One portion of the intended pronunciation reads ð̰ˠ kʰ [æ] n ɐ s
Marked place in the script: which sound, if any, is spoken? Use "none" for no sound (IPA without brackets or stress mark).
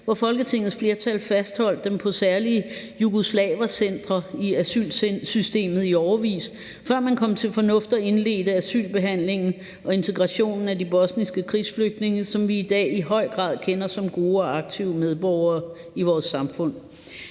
e